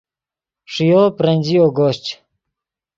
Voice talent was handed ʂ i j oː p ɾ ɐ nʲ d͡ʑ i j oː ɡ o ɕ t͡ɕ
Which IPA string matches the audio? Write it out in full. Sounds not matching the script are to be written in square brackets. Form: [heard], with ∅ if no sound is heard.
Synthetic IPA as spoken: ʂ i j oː p ɾ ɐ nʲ d͡ʑ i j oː ɡ o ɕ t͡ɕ